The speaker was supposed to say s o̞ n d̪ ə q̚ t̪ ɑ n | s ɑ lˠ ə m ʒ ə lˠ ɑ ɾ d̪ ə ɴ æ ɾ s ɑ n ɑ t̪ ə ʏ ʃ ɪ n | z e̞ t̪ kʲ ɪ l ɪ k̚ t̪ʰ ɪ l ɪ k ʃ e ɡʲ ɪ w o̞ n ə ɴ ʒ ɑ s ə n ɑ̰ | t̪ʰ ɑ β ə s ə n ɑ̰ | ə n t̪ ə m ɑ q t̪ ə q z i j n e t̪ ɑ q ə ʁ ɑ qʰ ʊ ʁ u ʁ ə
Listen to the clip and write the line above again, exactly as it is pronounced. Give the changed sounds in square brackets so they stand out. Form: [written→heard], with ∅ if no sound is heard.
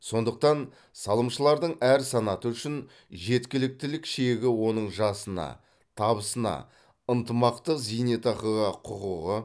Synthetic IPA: s o̞ n d̪ ə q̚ t̪ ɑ n | s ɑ lˠ ə m [ʒ→ʃ] ə lˠ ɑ ɾ d̪ ə ɴ æ ɾ s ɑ n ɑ t̪ ə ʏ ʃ ɪ n | [z→ʒ] e̞ t̪ kʲ ɪ l ɪ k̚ [t̪ʰ→t̪] ɪ l ɪ k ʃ e ɡʲ ɪ w o̞ n ə ɴ ʒ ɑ s ə n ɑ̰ | t̪ʰ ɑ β ə s ə n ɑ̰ | ə n t̪ ə m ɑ q t̪ ə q z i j n e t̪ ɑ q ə ʁ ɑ qʰ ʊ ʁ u ʁ ə